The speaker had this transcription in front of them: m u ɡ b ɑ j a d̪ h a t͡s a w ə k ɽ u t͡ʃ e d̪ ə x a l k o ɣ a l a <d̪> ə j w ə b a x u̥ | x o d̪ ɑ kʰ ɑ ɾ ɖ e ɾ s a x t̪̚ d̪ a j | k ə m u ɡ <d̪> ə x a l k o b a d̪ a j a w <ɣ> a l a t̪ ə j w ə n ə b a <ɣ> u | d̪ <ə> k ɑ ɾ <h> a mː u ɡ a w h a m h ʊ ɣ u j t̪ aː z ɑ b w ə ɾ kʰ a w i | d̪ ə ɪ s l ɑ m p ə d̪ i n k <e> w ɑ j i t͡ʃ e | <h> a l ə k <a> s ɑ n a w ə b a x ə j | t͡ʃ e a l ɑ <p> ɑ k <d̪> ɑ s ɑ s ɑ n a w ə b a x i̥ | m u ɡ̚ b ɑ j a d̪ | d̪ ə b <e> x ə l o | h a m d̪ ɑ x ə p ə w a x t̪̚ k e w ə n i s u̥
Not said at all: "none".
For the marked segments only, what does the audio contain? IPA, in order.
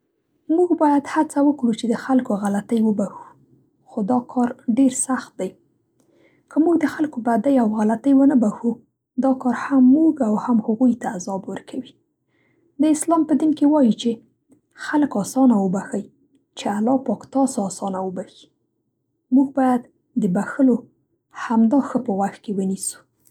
t̪, d̪, ɣ, x, ɑ, h, e, x, ɑ, p, t̪, a

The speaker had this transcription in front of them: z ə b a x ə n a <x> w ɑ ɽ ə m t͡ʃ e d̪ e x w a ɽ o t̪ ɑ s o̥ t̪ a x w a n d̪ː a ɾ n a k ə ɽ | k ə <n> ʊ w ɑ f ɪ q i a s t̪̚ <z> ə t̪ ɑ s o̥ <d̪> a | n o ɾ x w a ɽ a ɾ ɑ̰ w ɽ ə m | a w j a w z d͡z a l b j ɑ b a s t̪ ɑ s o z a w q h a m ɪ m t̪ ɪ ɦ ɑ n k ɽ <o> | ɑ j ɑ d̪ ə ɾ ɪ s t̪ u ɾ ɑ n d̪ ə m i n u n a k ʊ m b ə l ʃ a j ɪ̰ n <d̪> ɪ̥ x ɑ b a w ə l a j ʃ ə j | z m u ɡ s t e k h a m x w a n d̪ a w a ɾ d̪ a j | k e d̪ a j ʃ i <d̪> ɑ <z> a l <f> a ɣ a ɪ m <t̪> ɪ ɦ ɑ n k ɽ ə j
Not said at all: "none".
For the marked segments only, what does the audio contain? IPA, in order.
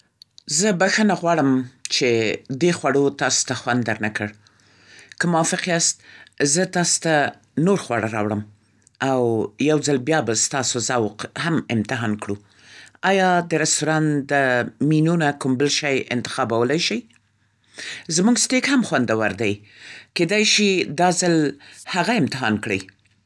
ɣ, m, z, t̪, u, t̪, d̪, z, h, t̪

